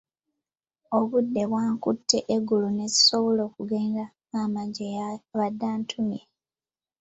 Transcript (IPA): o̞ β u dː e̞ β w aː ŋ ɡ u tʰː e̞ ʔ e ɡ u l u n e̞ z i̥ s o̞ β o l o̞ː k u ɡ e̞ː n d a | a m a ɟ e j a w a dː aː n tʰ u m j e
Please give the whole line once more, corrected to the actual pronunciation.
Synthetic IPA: o̞ β u dː e̞ β w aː ŋ k u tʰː e̞ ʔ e ɡ u l u n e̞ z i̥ s o̞ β o l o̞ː k u ɡ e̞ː n d a | a m a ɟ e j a β a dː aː n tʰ u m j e